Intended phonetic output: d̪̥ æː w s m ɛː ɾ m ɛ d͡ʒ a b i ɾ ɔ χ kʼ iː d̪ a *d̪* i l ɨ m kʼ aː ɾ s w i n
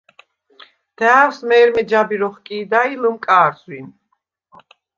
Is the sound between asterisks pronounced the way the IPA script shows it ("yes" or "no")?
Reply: no